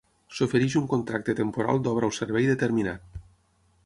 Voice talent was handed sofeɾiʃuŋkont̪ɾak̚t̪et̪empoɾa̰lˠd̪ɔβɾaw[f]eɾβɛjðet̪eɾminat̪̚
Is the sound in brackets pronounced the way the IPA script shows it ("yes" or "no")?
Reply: no